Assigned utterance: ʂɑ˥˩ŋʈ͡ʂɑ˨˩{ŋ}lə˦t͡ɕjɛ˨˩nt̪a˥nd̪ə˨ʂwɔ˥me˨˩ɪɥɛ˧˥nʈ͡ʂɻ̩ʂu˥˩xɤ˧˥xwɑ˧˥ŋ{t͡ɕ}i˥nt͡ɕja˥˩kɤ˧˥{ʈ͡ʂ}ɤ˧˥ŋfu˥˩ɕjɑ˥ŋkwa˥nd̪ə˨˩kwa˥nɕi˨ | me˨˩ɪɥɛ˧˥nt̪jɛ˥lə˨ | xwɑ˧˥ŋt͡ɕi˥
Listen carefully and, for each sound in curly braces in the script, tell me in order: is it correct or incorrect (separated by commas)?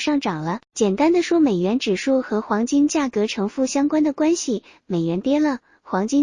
correct, correct, incorrect